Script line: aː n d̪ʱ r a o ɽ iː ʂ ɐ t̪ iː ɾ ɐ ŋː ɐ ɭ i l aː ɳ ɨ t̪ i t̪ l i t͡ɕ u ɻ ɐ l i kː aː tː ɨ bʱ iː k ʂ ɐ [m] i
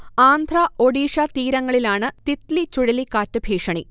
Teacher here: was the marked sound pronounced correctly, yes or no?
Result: no